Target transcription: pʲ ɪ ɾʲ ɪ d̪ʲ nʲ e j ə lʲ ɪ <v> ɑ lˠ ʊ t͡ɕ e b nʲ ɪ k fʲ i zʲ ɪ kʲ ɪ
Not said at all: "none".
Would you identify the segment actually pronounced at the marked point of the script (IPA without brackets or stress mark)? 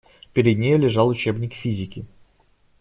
ʐ